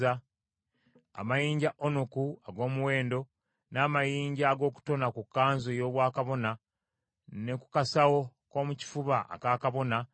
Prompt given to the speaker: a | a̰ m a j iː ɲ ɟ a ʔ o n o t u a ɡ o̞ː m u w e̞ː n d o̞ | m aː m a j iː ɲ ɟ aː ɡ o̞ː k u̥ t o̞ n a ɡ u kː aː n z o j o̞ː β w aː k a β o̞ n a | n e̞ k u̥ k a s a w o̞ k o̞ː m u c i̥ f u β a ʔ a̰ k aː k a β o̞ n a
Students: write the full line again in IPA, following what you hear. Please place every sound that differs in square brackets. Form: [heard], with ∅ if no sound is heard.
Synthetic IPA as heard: a | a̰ m a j iː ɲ ɟ a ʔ o n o [k] u a ɡ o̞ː m u w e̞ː n d o̞ | [n] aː m a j iː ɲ ɟ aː ɡ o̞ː k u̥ t o̞ n a [k] u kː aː n z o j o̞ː β w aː k a β o̞ n a | n e̞ k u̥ k a s a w o̞ k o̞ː m u c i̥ f u β a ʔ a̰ k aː k a β o̞ n a